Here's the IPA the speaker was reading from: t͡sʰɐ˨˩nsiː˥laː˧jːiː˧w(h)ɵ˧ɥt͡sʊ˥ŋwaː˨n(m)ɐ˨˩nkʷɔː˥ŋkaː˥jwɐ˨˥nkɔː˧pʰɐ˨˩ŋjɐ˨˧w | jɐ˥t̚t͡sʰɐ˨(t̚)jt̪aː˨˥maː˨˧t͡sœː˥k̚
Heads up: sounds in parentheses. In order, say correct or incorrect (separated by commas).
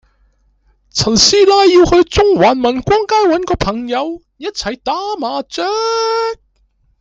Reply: correct, correct, incorrect